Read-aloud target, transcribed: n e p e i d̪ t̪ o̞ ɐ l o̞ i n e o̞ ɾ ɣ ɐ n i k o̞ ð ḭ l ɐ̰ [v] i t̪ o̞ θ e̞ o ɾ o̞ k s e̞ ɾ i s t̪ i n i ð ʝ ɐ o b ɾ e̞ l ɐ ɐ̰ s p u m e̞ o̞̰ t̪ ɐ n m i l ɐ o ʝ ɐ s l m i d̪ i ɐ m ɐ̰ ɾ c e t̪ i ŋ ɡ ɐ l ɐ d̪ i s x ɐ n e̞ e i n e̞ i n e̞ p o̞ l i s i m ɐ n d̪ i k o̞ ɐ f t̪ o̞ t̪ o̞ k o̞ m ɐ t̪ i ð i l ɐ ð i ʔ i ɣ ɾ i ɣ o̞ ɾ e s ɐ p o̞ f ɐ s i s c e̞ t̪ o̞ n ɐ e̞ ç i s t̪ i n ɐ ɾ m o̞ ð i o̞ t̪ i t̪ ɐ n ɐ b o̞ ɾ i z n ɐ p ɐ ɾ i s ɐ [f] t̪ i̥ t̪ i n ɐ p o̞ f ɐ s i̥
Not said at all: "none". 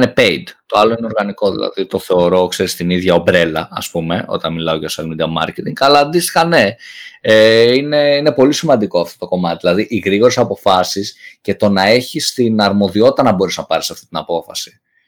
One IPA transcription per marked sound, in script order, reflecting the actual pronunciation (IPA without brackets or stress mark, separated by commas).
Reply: ð, f